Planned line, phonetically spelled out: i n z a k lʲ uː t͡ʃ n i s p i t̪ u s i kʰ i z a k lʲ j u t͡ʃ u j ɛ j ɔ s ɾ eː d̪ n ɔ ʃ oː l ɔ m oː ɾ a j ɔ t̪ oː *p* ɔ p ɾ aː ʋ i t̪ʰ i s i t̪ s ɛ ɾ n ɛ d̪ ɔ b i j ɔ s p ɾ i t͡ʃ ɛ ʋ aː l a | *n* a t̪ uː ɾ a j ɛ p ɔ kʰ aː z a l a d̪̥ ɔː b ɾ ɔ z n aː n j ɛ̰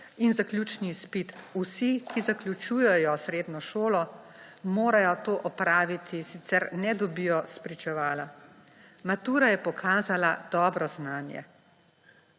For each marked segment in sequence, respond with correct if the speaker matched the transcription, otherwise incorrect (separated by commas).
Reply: incorrect, incorrect